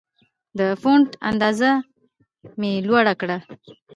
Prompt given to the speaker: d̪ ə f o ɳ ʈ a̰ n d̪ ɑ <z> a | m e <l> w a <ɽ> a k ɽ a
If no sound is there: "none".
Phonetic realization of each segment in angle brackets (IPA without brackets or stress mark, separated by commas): z, l, ɽ